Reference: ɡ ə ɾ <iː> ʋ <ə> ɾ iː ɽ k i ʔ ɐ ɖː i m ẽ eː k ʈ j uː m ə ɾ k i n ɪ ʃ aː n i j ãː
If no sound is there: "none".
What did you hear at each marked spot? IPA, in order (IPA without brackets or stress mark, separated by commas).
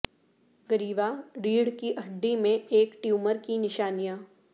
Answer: iː, a